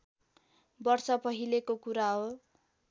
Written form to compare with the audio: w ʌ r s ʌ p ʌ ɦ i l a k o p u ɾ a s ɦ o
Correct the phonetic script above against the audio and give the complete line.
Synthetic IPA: b ʌ r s ʌ p ʌ ɦ i l e k o k u ɾ a ɦ o

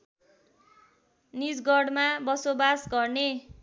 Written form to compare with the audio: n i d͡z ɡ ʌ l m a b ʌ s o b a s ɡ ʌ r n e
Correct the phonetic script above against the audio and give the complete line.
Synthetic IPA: n i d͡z ɡ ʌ ɽ m a b ʌ s o b a s ɡ ʌ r n e

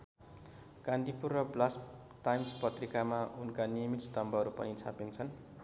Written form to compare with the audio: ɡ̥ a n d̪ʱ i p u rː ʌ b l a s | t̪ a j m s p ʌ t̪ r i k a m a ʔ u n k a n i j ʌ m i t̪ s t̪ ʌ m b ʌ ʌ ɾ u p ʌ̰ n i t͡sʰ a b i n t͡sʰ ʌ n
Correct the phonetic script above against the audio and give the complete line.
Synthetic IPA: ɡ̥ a n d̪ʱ i p u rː ʌ b l a s | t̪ a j m s p ʌ t̪ r i k a m a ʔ u n k a n i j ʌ m i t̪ s t̪ ʌ m b ʌ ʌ ɾ u p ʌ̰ n i t͡sʰ a p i n t͡sʰ ʌ n

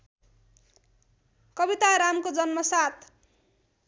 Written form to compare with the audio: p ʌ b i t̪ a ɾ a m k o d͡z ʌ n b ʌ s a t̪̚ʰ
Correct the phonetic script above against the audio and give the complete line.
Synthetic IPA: k ʌ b i t̪ a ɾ a m k o d͡z ʌ n m ʌ s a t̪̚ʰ

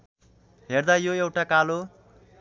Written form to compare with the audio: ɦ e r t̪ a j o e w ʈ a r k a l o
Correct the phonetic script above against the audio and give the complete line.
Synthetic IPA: ɦ e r d̪ a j o e w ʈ a k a l o

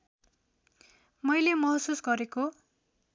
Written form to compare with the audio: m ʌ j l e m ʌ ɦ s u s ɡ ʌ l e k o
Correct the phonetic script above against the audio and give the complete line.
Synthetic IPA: m ʌ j l e m ʌ ɦ s u s ɡ ʌ ɾ e k o

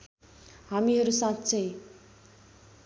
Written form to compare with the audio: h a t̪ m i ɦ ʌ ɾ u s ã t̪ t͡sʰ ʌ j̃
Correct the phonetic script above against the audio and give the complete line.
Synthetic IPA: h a m i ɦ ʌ ɾ u s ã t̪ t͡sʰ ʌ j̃

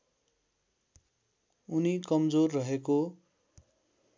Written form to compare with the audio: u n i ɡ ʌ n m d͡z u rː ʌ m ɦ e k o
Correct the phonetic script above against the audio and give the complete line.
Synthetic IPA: u n i k ʌ m d͡z o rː ʌ ɦ e k o

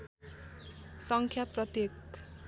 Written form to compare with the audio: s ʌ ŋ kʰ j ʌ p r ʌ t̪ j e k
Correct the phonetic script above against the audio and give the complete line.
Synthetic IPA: s ʌ ŋ kʰ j a p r ʌ t̪ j e k

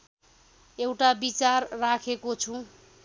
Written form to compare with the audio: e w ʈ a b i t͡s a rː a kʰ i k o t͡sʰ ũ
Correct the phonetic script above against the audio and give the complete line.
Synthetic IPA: e w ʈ a b i t͡s a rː a kʰ e k o t͡sʰ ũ

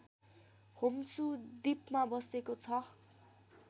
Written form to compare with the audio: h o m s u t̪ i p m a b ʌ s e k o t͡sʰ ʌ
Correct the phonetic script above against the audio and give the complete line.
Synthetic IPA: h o m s u d̪ i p m a b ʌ s e k o t͡sʰ ʌ

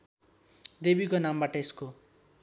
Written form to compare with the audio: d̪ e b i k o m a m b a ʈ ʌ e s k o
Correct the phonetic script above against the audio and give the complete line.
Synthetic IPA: d̪ e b i k o n a m b a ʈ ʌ e s k o

